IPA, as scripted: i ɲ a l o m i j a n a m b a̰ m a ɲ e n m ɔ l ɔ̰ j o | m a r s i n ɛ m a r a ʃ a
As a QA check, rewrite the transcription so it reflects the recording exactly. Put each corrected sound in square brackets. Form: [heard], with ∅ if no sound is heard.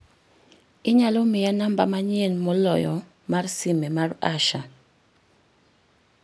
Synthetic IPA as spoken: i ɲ a l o m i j a n a m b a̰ m a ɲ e n m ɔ l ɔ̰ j [ɔ] | m a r s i [m] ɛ m a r a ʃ a

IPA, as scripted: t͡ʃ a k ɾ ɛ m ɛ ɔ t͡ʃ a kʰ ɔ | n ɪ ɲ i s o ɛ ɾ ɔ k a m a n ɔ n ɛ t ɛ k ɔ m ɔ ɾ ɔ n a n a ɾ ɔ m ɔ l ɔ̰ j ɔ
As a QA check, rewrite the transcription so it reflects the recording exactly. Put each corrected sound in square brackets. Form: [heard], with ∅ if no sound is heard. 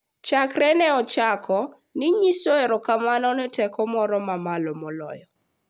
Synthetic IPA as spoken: t͡ʃ a k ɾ ɛ [n] ɛ ɔ t͡ʃ a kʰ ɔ | n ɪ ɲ i s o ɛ ɾ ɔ k a m a n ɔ n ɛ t ɛ k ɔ m ɔ ɾ ɔ [m] a [m] a [l] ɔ m ɔ l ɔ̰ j ɔ

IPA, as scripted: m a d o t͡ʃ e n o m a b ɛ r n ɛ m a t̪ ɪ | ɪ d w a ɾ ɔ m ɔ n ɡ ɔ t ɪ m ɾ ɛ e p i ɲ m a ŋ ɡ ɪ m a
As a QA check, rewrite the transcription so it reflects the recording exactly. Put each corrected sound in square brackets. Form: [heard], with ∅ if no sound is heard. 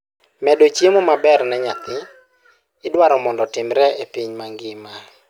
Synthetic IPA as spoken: m [ɛ] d o t͡ʃ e [m] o m a b ɛ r n ɛ [ɲ] a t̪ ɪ | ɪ d w a ɾ ɔ m ɔ n [d] ɔ t ɪ m ɾ ɛ e p i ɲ m a ŋ ɡ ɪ m a

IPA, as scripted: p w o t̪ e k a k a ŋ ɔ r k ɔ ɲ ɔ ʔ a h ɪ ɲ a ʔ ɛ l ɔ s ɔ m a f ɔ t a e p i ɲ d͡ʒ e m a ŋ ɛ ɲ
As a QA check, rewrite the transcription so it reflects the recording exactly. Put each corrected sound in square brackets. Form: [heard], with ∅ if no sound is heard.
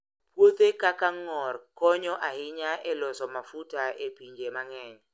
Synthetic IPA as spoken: p w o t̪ e k a k a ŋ ɔ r k ɔ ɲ ɔ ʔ a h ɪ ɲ a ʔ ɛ l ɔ s ɔ m a f [u] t a e p i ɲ d͡ʒ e m a ŋ ɛ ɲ

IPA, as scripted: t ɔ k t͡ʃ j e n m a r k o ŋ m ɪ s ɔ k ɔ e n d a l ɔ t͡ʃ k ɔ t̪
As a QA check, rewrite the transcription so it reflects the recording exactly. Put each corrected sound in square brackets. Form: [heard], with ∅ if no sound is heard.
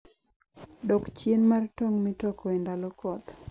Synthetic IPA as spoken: [d] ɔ k t͡ʃ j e n m a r [t] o ŋ m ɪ [t] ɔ k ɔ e n d a l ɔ [∅] k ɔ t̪

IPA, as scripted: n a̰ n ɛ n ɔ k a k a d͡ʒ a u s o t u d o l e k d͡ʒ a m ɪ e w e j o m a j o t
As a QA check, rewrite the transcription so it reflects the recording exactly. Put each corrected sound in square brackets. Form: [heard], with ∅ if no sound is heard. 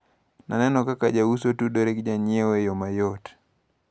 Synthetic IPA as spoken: n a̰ n ɛ n ɔ k a k a d͡ʒ a u s o t u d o [ɾ] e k d͡ʒ a [ɲ] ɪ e w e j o m a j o t

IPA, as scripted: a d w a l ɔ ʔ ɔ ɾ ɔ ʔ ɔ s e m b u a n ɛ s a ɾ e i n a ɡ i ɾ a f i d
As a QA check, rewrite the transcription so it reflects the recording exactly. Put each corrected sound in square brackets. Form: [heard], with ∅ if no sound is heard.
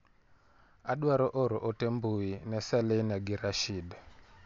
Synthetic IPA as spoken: a [ɗ] w a [ɾ] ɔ ʔ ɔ ɾ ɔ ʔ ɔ [t] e m b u [i] n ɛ s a [l] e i n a ɡ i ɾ a [ʃ] i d

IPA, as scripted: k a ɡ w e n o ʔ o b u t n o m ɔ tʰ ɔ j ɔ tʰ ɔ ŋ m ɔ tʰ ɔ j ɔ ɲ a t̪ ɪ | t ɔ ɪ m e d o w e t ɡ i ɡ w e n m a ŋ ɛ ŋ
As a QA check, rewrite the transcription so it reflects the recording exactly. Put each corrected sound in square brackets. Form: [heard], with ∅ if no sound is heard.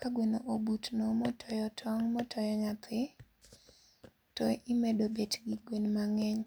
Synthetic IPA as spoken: k a ɡ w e n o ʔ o b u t n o m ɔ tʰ ɔ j ɔ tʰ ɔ ŋ m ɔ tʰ ɔ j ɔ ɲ a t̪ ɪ | t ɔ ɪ m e d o [b] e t ɡ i ɡ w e n m a ŋ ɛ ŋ

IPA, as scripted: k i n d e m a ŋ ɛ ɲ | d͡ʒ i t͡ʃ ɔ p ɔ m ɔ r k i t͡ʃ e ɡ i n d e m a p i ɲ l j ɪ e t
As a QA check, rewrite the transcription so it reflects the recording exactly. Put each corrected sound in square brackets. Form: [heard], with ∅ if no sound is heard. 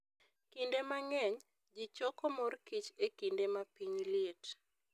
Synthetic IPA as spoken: k i n d e m a ŋ ɛ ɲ | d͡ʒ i t͡ʃ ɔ [k] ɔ m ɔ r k i t͡ʃ e [k] i n d e m a p i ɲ l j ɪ e t

